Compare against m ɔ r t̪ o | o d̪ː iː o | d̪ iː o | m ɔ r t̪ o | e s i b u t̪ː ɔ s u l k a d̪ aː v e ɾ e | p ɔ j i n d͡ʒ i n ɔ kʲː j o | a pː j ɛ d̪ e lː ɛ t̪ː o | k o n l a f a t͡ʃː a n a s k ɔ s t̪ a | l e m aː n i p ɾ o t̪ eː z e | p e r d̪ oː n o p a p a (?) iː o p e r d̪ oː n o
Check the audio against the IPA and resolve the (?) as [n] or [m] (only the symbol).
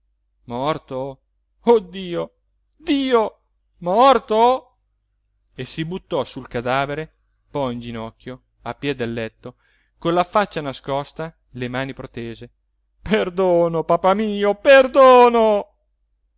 m